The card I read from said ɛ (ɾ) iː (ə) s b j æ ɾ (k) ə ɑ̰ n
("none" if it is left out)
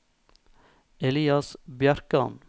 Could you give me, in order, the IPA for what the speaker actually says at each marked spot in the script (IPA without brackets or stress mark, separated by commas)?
l, ɑ, k